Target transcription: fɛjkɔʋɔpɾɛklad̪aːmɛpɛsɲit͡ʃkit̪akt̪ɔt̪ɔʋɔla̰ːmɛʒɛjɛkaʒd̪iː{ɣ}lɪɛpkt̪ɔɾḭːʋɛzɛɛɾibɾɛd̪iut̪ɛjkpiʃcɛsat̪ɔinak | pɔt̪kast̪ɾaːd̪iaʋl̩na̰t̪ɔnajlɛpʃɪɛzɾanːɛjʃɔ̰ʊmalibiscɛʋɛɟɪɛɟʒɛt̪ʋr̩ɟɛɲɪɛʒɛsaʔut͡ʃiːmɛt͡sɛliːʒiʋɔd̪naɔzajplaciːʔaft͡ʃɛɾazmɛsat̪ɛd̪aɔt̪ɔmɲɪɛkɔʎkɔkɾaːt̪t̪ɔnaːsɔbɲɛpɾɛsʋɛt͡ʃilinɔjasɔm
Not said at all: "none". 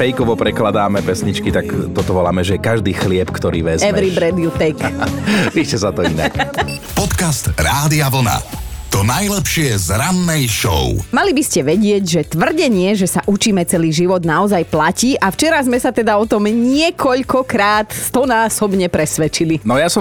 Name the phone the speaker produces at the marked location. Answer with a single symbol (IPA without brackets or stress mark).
x